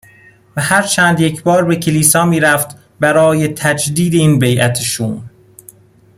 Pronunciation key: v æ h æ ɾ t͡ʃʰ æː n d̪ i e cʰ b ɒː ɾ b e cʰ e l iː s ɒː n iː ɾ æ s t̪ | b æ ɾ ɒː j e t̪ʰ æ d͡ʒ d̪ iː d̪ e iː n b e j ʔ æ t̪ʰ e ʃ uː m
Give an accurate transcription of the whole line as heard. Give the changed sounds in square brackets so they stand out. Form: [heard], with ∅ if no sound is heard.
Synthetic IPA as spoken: v æ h æ ɾ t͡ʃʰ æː n d̪ [j] e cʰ b ɒː ɾ b e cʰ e l iː s ɒː [m] iː ɾ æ [f] t̪ | b æ ɾ ɒː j e t̪ʰ æ d͡ʒ d̪ iː d̪ e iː n b e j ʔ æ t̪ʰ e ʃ uː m